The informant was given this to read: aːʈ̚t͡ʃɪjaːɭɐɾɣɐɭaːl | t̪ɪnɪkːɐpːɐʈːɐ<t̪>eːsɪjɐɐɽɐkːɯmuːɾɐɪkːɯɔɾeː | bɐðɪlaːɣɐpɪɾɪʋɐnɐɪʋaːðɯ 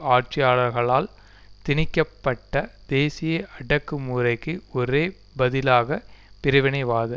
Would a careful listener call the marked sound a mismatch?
yes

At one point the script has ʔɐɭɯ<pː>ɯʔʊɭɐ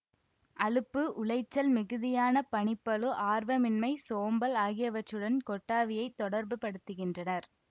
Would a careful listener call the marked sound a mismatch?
no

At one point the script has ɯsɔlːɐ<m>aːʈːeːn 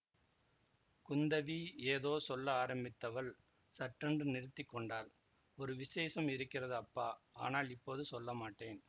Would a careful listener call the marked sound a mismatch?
no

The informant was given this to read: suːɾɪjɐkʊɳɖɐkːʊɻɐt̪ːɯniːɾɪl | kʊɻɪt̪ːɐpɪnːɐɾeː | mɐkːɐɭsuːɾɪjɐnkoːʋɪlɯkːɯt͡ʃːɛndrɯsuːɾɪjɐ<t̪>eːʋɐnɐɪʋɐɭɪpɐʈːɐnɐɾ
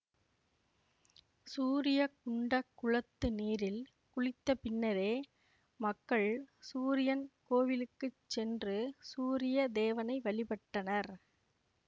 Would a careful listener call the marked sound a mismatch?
yes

